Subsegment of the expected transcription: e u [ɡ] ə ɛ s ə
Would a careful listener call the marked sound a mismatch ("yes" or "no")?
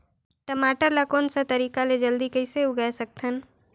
no